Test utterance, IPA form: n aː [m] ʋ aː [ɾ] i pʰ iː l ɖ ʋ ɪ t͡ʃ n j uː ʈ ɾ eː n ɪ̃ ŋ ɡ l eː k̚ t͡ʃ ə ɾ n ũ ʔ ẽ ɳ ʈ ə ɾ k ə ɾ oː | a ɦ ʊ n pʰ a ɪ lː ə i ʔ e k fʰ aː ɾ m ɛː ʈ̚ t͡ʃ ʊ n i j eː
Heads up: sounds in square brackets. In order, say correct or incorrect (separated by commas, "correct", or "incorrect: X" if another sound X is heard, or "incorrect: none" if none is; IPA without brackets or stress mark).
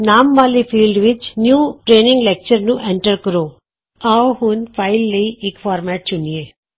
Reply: correct, incorrect: l